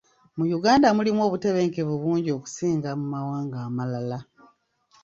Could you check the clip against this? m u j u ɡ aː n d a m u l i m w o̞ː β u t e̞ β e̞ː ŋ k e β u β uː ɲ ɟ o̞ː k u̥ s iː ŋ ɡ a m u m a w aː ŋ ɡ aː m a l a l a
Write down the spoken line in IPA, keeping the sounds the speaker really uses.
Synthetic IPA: m u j u ɡ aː n d a m u l i m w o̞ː β u t e̞ β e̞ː ŋ k e β u β uː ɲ ɟ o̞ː k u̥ s iː ŋ ɡ a m u m a w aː ŋ ɡ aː m a l a l a